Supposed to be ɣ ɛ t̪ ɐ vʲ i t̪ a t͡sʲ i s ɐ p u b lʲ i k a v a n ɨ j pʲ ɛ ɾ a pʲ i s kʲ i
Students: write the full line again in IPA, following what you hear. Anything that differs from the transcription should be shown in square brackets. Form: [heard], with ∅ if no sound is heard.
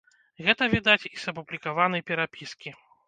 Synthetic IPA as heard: ɣ ɛ t̪ ɐ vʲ i [d̪] a t͡sʲ i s ɐ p u b lʲ i k a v a n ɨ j pʲ ɛ ɾ a pʲ i s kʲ i